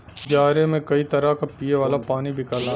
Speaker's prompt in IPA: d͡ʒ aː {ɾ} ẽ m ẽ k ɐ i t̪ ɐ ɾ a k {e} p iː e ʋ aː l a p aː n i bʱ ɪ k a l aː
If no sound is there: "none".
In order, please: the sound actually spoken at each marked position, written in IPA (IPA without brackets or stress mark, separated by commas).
ɾ, a